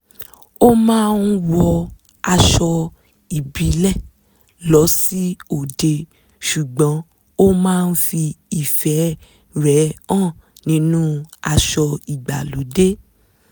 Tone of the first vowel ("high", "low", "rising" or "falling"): high